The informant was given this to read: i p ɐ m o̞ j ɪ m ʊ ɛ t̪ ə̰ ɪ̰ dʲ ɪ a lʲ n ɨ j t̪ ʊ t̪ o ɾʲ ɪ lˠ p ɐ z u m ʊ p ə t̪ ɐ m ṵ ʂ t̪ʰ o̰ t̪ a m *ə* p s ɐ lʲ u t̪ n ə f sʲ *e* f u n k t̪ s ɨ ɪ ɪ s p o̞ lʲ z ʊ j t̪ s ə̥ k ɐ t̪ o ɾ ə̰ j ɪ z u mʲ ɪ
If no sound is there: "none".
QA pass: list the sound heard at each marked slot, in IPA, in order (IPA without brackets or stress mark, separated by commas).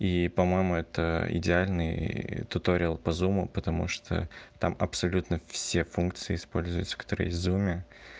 ɐ, e